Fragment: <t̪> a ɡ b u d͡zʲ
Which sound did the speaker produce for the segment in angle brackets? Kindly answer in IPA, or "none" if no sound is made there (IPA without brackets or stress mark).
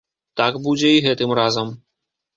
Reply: t̪